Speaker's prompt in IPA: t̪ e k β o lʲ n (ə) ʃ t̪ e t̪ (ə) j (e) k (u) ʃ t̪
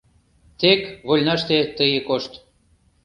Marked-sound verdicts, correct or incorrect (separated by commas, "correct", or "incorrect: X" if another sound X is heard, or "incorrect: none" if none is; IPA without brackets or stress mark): incorrect: ɑ, correct, correct, incorrect: o